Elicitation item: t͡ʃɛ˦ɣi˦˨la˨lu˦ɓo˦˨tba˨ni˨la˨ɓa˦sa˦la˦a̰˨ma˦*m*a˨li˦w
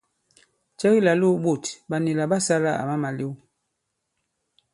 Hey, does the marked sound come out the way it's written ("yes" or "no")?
yes